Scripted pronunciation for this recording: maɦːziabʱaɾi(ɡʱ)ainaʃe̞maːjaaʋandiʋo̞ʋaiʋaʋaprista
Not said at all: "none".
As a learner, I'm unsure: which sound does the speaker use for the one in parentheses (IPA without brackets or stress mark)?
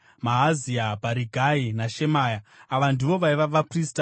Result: ɡʱ